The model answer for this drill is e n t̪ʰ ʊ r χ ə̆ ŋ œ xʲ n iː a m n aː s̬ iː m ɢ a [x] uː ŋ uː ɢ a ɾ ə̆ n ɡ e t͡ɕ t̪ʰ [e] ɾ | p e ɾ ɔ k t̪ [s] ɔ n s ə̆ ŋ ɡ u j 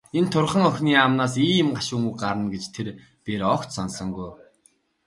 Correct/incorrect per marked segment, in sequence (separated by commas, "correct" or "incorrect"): incorrect, correct, correct